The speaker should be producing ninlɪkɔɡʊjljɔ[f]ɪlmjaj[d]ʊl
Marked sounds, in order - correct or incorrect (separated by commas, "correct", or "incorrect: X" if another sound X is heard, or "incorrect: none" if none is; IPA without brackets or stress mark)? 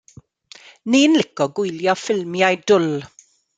correct, correct